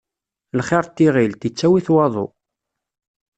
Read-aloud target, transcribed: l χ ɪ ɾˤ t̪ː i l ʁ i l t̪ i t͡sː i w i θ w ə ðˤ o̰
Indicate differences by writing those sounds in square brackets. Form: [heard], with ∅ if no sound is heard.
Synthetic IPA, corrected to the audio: l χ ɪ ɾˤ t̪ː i [∅] ʁ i l t̪ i t͡sː [æ] w i θ w [ɑ] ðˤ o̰